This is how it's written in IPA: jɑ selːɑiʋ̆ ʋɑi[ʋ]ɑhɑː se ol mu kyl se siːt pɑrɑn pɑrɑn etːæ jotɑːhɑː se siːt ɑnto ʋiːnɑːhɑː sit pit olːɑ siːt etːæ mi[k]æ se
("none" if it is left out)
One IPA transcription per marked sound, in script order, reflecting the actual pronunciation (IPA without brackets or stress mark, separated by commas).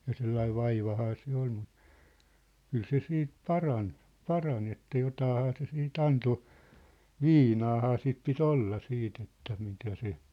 ʋ, t